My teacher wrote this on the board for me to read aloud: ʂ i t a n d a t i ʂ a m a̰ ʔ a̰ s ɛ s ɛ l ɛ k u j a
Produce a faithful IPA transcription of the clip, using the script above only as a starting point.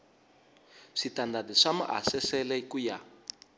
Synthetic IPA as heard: ʂ i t a n d a d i ʂ a m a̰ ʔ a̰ s ɛ s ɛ l ɛ k u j a